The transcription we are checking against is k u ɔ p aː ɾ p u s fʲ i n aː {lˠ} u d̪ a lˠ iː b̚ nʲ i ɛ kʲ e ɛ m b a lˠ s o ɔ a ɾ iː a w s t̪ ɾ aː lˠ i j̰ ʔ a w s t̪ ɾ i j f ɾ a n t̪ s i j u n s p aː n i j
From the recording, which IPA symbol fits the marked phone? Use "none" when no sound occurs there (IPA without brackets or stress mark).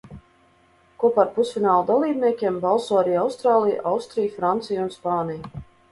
lˠ